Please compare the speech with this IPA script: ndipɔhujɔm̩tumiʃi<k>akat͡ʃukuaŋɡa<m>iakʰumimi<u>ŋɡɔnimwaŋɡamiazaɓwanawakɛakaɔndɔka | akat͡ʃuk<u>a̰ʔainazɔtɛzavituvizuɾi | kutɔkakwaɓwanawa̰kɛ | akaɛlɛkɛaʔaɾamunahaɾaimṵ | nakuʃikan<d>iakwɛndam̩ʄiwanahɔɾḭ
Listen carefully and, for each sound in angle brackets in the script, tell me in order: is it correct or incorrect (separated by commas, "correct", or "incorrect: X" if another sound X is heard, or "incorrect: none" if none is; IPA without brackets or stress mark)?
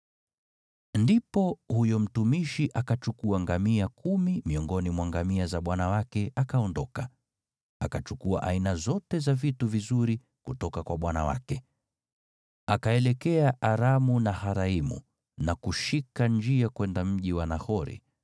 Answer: incorrect: ʔ, correct, incorrect: ɔ, correct, incorrect: d͡ʒ